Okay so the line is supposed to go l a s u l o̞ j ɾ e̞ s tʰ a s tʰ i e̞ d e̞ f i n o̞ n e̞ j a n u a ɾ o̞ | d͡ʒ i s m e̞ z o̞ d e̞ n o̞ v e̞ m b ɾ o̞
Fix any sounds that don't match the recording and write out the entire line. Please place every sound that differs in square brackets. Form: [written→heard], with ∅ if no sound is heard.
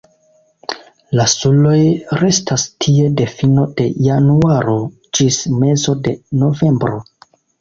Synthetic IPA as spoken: l a s u l o̞ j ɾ e̞ s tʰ a s tʰ i e̞ d e̞ f i n o̞ [n→d] e̞ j a n u a ɾ o̞ | d͡ʒ i s m e̞ z o̞ d e̞ n o̞ v e̞ m b ɾ o̞